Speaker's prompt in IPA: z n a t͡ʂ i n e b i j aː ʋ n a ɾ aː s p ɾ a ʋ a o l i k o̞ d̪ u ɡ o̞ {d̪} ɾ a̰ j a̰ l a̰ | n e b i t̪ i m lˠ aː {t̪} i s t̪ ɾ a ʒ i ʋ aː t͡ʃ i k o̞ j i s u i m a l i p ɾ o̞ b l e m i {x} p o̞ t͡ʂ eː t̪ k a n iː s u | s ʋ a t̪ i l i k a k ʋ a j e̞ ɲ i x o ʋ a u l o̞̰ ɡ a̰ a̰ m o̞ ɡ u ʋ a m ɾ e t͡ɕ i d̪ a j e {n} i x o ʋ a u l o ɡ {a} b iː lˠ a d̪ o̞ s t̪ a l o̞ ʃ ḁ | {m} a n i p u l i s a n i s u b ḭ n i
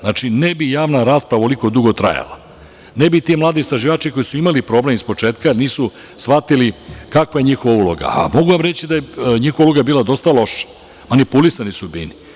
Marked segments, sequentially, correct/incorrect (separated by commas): incorrect, incorrect, incorrect, incorrect, correct, correct